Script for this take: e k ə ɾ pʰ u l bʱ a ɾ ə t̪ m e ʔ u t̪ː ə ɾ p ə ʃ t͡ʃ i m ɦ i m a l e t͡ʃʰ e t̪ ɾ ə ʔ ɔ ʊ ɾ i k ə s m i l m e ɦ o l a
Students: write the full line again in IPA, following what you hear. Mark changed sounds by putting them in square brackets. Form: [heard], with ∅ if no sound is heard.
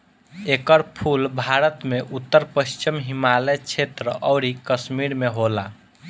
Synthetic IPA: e k ə ɾ pʰ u l bʱ a ɾ ə t̪ m e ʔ u t̪ː ə ɾ p ə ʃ t͡ʃ i m ɦ i m a l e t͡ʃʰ e t̪ ɾ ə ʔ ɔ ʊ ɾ i k ə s m i [ɾ] m e ɦ o l a